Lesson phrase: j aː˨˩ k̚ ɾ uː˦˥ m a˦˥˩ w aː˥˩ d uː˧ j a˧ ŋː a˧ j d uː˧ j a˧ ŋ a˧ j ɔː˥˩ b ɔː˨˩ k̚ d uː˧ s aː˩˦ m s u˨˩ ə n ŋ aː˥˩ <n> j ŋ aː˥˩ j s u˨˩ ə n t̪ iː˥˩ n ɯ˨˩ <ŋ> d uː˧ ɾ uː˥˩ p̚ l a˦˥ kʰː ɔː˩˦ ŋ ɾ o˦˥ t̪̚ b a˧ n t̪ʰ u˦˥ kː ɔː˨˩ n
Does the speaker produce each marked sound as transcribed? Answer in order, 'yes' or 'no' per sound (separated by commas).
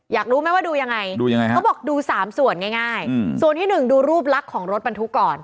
no, yes